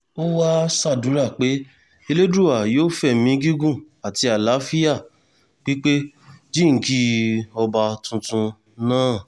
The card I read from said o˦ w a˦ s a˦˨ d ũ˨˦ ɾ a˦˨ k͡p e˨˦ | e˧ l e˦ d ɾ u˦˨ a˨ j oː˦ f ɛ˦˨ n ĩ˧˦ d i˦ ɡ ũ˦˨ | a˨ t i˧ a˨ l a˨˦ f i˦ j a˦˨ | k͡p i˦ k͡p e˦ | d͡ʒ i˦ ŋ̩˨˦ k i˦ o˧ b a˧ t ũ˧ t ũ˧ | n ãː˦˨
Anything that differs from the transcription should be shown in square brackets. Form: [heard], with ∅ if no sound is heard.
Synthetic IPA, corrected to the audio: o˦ w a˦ s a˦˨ d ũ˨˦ ɾ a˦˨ k͡p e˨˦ | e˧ l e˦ d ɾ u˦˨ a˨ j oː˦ f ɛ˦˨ [m] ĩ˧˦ [ɡ] i˦ ɡ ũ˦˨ | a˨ t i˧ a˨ l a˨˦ f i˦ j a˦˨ | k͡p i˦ k͡p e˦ | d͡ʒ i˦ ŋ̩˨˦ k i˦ [ɔ˧] b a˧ t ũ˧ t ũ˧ | n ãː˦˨

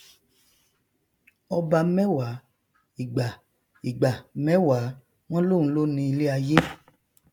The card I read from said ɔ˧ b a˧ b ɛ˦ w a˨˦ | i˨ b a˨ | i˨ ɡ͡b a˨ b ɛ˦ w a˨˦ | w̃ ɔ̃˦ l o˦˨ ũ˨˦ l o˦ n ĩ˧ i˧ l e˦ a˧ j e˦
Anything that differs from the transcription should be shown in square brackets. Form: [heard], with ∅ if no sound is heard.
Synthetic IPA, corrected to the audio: ɔ˧ b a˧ [m] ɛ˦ w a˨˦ | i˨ [ɡ͡b] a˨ | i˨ ɡ͡b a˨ [m] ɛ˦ w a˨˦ | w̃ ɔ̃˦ l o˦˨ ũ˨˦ l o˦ n ĩ˧ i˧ l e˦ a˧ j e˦

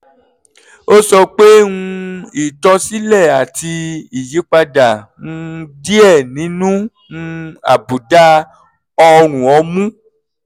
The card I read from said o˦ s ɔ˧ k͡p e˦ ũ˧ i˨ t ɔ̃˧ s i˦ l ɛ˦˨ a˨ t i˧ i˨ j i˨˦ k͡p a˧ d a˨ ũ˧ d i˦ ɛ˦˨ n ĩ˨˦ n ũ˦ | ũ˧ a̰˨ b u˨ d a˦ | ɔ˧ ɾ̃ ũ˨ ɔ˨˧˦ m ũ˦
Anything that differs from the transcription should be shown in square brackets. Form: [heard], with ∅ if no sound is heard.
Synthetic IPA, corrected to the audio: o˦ s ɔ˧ k͡p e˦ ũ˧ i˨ t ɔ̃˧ s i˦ l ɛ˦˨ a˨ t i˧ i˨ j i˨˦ k͡p a˧ d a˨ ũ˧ d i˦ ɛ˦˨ n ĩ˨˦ n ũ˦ | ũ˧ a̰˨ b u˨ d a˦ | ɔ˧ ɾ̃ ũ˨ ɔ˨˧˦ m ũ˦

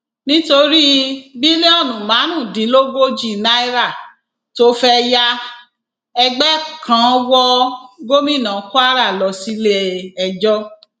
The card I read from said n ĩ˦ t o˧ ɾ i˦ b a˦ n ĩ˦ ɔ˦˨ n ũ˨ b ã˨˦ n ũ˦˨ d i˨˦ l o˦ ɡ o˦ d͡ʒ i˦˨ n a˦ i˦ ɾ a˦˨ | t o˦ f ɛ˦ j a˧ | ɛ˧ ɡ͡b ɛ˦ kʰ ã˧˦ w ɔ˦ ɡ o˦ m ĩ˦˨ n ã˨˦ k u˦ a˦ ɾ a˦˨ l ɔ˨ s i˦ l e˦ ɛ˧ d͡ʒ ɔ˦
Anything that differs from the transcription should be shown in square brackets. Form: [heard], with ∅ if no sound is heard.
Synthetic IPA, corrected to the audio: n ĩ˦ t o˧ ɾ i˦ b [i˦] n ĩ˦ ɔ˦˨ n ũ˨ [m] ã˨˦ n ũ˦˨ d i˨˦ l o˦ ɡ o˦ d͡ʒ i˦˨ n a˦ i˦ ɾ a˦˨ | t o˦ f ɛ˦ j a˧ | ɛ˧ ɡ͡b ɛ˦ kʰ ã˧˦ w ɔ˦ ɡ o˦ m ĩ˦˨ n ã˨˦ k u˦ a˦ ɾ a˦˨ l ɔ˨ s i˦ l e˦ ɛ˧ d͡ʒ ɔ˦

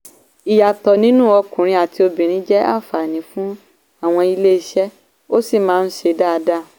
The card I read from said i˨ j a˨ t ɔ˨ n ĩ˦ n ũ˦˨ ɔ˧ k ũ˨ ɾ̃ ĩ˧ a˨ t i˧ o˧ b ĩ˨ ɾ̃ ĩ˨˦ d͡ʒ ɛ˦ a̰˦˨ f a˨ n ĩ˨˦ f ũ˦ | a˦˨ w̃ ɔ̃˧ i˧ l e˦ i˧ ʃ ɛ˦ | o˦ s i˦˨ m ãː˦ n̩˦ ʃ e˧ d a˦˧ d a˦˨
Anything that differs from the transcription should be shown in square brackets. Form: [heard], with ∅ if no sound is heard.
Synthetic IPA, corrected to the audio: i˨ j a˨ t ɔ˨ n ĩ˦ n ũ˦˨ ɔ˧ k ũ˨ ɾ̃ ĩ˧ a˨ t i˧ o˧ b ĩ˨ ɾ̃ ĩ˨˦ d͡ʒ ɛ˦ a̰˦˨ f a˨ n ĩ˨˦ f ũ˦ | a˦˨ w̃ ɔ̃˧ i˧ l e˦ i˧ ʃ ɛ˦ | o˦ s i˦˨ m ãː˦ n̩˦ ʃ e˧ d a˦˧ d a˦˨

